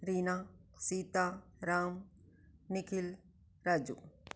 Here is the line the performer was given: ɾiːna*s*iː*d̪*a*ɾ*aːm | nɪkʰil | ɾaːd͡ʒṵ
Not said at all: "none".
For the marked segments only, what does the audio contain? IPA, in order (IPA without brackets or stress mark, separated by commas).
s, t̪, ɾ